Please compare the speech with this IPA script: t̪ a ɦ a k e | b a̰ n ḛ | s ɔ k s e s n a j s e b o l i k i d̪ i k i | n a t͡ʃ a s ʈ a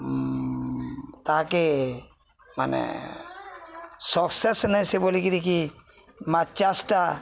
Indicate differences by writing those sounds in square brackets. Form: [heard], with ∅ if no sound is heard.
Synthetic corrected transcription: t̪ a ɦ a k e | [m] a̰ n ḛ | s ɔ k s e s n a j s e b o l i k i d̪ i k i | [m] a t͡ʃ a s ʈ a